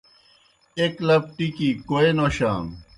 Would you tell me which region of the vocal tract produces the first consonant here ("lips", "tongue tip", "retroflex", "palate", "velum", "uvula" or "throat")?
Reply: velum